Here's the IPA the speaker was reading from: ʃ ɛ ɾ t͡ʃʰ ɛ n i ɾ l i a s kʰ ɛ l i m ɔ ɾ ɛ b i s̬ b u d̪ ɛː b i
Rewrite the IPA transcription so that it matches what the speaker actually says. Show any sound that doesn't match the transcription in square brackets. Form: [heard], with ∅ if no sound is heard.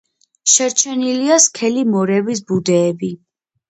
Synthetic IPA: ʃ ɛ ɾ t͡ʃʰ ɛ n i [∅] l i a s kʰ ɛ l i m ɔ ɾ ɛ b i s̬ b u d̪ ɛː b i